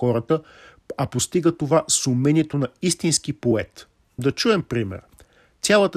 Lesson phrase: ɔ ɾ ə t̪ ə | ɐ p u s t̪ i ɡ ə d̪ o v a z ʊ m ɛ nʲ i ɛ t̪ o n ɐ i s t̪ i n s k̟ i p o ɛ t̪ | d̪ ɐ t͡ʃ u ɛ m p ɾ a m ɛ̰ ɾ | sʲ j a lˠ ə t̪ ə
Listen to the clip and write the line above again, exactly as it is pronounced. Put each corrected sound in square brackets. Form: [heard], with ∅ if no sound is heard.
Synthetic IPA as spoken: ɔ ɾ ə t̪ ə | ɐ p [o] s t̪ i ɡ ə [t̪] o v a [s] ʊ m ɛ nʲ i ɛ t̪ o n ɐ i s t̪ i n s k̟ i p o ɛ t̪ | d̪ ɐ t͡ʃ u ɛ m p ɾ [i] m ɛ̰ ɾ | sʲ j a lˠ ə t̪ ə